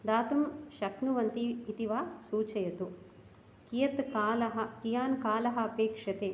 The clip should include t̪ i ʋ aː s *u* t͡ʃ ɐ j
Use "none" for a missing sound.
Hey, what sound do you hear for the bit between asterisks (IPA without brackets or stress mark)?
uː